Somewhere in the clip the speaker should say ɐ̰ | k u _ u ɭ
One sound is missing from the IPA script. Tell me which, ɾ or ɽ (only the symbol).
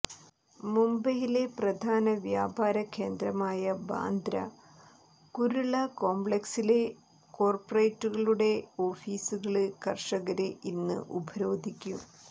ɾ